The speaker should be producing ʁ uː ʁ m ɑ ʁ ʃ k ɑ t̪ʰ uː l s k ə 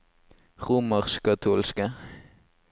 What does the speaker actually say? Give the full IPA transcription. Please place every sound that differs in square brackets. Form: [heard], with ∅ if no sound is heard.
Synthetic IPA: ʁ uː [∅] m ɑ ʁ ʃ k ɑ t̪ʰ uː l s k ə